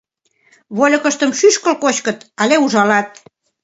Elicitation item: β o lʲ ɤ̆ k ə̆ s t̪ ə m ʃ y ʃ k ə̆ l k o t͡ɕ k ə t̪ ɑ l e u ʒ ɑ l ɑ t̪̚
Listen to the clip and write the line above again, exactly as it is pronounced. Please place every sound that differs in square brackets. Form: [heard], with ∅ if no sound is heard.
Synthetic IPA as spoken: β o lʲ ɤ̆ k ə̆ [ʃ] t̪ ə m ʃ y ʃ k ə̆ l k o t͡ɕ k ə t̪ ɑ l e u ʒ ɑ l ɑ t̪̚